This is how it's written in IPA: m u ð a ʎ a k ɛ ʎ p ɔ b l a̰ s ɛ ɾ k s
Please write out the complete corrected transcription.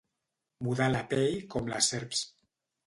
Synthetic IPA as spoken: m u ð a l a p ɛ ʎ k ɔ m l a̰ s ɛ ɾ p s

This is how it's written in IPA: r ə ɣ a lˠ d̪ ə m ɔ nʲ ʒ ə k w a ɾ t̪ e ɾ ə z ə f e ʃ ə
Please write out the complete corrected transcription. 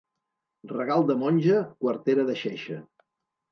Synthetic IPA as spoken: r ə ɣ a lˠ d̪ ə m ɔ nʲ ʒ ə k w ə ɾ t̪ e ɾ ə ð ə ʃ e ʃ ə

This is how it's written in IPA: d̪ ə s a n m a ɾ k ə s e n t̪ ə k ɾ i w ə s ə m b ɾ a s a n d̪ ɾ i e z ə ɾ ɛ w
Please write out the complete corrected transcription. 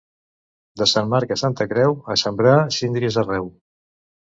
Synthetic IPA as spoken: d̪ ə s a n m a ɾ k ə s a n t̪ ə k ɾ ɛ w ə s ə m b ɾ a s i n d̪ ɾ i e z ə r ɛ w

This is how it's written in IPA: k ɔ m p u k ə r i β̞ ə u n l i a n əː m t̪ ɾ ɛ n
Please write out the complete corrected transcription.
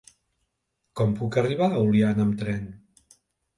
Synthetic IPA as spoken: k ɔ m p u k ə r i β̞ a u l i a n ə m t̪ ɾ ɛ n

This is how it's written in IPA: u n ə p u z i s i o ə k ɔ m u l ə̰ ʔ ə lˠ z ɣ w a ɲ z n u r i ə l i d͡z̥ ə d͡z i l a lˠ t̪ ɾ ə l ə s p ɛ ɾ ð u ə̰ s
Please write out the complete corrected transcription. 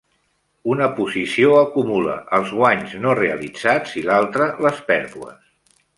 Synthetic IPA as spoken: u n ə p u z i s i o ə k u m u l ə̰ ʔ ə lˠ z ɣ w a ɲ z n o r e ə l i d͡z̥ a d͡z i l a lˠ t̪ ɾ ə l ə s p ɛ ɾ ð u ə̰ s

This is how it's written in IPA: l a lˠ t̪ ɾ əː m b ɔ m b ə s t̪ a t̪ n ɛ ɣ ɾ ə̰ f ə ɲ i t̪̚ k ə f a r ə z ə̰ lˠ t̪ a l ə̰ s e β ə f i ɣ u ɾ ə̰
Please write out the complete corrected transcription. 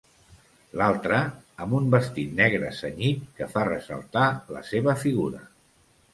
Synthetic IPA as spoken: l a lˠ t̪ ɾ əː m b u m b ə s t̪ i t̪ n ɛ ɣ ɾ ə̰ s ə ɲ i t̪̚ k ə f a r ə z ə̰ lˠ t̪ a l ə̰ s e β ə f i ɣ u ɾ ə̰

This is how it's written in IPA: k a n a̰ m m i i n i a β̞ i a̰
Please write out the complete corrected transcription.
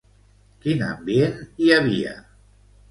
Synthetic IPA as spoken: k i n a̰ m b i e n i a β̞ i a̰

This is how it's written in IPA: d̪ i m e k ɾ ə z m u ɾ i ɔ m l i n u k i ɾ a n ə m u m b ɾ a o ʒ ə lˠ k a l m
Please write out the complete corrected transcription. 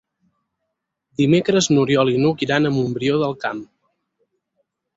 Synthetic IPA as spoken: d̪ i m e k ɾ ə z n u ɾ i ɔ l i n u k i ɾ a n ə m u m b ɾ i o ð ə lˠ k a m

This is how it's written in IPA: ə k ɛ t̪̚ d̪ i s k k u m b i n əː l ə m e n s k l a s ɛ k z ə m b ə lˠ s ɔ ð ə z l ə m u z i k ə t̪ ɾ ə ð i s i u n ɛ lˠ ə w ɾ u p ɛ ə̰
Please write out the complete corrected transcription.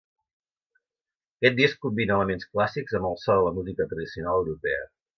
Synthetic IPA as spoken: ə k ɛ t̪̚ d̪ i s k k u m b i n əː l ə m e n s k l a s i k z ə m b ə lˠ s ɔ ð ə l ə m u z i k ə t̪ ɾ ə ð i s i u n a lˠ ə w ɾ u p ɛ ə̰

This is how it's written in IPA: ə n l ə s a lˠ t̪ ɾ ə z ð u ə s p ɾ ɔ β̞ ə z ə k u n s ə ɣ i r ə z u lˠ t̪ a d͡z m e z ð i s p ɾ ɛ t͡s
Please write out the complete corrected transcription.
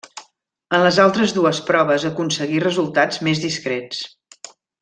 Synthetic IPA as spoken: ə n l ə z a lˠ t̪ ɾ ə z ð u ə s p ɾ ɔ β̞ ə z ə k u n s ə ɣ i r ə z u lˠ t̪ a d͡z m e z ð i s k ɾ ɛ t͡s

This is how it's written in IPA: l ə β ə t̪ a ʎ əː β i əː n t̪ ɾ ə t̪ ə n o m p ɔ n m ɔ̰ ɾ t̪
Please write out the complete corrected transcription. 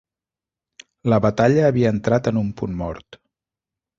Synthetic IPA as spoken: l ə β ə t̪ a ʎ əː β i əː n t̪ ɾ a t̪ ə n u m p u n m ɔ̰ ɾ t̪

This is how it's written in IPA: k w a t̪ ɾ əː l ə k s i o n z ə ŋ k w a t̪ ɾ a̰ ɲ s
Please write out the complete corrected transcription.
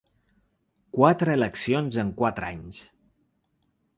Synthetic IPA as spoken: k w a t̪ ɾ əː l ə k s i o n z ə ŋ k w a t̪ ɾ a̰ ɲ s

